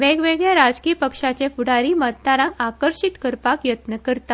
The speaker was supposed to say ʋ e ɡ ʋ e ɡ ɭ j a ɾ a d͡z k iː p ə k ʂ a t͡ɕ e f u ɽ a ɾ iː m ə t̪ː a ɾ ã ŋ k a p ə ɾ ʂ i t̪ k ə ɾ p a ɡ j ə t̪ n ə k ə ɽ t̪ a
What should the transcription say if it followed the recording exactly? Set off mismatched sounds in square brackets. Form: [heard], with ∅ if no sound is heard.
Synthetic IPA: ʋ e ɡ ʋ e ɡ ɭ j a ɾ a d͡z k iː p ə k ʂ a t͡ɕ e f u ɽ a ɾ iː m ə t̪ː a ɾ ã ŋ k a [k] ə ɾ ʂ i t̪ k ə ɾ p a [k] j ə t̪ n ə k ə [ɾ] t̪ a